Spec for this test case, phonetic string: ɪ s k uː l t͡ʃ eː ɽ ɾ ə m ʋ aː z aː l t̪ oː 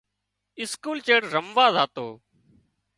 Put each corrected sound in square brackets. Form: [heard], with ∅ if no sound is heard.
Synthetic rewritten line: ɪ s k uː l t͡ʃ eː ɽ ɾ ə m ʋ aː z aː [∅] t̪ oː